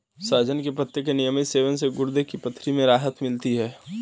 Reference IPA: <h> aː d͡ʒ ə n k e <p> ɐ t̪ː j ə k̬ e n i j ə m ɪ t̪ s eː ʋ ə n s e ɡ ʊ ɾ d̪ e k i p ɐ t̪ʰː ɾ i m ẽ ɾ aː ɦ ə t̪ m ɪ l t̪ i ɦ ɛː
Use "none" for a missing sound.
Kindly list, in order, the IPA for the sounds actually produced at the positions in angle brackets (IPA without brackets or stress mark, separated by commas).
s, p